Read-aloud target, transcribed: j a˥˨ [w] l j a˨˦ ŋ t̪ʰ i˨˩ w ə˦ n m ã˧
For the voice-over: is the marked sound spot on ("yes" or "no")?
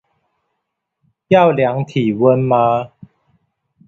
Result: yes